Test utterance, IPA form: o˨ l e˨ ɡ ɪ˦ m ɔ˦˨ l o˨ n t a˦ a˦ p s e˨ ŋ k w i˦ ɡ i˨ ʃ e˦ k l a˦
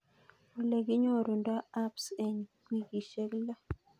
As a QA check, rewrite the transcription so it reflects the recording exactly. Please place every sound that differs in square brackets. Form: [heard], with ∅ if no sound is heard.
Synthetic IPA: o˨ l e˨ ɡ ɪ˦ [ɲ] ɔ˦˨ [ɾ] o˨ n [d] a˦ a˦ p s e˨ [ɲ] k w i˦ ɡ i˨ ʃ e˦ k l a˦